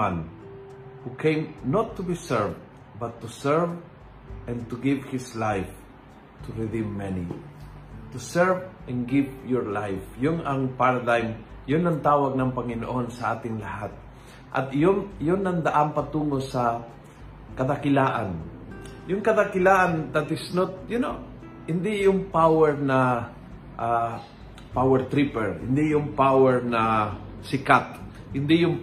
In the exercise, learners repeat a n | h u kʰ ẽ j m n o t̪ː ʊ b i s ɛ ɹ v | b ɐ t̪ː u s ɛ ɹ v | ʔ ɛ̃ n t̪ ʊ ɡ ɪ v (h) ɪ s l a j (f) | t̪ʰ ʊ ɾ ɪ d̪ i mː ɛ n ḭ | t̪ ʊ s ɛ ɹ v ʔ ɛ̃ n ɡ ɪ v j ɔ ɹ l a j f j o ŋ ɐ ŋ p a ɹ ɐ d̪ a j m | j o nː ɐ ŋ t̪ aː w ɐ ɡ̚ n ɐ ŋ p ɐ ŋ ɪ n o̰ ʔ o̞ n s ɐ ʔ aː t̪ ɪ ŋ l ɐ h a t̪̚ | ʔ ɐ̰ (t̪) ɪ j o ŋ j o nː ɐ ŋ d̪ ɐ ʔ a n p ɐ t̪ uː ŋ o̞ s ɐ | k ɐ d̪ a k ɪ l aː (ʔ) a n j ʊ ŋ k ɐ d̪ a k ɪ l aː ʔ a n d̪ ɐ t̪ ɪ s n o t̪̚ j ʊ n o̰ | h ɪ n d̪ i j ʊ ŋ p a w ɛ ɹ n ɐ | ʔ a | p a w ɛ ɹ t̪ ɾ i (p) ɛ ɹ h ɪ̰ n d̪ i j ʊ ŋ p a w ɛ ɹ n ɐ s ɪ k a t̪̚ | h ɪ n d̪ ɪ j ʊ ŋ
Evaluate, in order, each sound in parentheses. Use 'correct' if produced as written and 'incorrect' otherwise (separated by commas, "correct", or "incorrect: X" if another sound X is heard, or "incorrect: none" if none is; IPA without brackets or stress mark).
correct, correct, correct, correct, correct